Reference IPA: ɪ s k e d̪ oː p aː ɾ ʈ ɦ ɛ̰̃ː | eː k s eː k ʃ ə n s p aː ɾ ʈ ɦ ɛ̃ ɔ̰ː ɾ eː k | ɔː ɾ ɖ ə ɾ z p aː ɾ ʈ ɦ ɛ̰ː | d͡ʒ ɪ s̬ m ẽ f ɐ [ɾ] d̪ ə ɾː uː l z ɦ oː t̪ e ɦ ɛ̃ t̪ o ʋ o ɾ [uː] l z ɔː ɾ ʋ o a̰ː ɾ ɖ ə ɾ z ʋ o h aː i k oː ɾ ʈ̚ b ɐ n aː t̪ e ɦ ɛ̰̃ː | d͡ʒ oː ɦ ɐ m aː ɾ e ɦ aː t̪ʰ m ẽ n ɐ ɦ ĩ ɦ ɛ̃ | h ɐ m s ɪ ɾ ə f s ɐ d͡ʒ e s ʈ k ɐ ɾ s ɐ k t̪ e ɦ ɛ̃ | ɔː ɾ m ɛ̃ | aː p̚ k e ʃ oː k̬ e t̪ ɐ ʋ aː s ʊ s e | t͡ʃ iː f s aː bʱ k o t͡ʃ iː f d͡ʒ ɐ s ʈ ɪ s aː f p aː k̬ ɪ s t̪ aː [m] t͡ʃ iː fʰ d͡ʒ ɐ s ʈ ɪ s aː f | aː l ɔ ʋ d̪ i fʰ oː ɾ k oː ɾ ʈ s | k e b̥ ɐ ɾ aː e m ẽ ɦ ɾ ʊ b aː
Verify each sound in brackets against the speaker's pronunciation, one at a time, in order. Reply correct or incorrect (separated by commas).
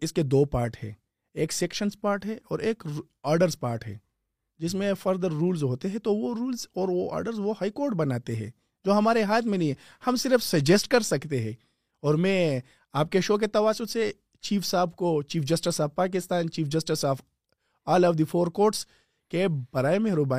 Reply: correct, correct, incorrect